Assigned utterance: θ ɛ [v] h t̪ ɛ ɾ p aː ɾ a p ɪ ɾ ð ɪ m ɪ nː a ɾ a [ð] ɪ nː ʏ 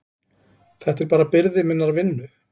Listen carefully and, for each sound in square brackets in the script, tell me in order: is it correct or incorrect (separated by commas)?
incorrect, incorrect